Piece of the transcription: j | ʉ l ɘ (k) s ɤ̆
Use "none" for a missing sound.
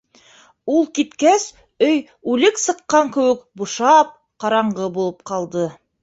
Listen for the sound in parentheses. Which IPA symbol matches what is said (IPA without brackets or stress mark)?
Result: k